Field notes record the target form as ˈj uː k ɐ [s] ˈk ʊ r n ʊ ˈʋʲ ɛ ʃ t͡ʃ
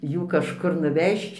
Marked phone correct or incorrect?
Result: incorrect